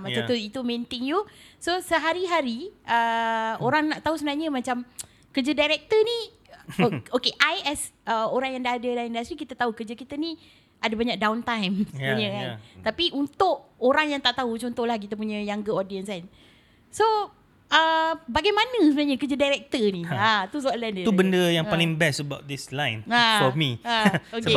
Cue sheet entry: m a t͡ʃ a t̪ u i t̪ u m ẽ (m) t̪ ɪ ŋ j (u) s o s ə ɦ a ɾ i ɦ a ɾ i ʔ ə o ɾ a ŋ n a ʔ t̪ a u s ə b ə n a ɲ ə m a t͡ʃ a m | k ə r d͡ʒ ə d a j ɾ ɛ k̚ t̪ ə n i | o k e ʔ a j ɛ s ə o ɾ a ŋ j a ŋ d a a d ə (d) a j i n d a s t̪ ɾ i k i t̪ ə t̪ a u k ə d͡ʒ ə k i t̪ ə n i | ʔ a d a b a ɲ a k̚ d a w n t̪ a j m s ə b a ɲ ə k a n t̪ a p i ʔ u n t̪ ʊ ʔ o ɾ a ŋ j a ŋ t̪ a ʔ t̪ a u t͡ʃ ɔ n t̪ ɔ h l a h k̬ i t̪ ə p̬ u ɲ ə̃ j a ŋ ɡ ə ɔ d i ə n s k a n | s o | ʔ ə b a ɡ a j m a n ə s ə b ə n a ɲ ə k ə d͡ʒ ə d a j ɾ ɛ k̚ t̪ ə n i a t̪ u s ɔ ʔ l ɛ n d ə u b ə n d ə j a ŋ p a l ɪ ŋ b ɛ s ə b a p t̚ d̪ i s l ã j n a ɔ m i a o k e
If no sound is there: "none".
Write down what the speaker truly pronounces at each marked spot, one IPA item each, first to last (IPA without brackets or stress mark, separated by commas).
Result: n, u, d